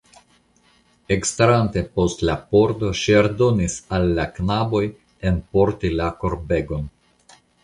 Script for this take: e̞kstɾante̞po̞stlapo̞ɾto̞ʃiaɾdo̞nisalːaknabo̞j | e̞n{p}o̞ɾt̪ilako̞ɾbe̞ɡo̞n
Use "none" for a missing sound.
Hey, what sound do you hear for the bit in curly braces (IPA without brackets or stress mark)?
p